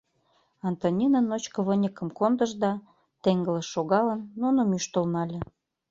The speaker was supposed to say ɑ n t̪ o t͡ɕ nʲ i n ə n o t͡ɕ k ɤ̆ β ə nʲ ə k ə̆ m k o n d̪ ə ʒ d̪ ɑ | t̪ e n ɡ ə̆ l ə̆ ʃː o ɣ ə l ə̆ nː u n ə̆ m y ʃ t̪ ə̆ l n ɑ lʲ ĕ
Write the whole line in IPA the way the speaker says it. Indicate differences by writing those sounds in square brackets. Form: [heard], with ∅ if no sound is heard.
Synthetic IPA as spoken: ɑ n t̪ o [∅] nʲ i n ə n o t͡ɕ k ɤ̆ β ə nʲ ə k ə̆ m k o n d̪ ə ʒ d̪ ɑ | t̪ e [ŋ] ɡ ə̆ l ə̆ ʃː o ɣ [ɑ] l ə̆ nː u n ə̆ m y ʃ t̪ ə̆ l n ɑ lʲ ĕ